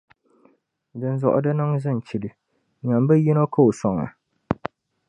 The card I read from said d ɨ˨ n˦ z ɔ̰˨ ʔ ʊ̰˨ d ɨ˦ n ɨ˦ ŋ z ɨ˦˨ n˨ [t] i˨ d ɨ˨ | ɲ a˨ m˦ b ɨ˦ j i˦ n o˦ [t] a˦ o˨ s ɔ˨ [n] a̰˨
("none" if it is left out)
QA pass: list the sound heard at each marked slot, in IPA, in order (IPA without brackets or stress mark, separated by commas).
t͡ʃ, k, ŋ